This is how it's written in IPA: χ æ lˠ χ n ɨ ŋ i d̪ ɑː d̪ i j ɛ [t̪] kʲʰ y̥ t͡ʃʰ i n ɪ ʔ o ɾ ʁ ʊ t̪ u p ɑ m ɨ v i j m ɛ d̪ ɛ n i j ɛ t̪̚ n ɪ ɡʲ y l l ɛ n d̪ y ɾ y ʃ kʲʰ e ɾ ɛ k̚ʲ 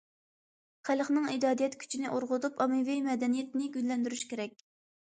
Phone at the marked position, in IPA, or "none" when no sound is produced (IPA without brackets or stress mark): t̪